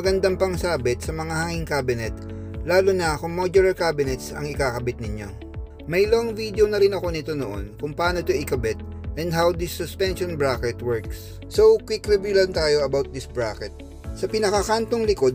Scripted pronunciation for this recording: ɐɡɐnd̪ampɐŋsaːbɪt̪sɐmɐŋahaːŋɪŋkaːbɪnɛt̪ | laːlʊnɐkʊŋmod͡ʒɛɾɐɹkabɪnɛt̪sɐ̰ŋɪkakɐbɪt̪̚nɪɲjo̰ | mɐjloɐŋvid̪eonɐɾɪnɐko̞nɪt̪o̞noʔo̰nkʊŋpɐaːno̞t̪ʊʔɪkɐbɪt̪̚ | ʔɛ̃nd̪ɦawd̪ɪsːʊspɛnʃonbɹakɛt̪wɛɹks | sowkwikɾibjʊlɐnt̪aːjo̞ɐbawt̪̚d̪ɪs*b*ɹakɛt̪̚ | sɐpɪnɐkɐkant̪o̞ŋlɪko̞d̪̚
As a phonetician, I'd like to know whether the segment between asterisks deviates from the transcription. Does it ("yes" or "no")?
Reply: no